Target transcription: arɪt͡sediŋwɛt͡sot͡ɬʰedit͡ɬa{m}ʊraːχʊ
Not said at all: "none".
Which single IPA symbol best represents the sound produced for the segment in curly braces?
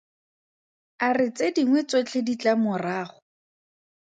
m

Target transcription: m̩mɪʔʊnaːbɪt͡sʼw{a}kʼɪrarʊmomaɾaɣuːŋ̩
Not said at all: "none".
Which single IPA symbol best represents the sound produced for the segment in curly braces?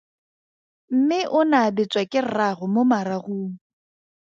a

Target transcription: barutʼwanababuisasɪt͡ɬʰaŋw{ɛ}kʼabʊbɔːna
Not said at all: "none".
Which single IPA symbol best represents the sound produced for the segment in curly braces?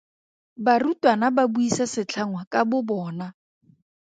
a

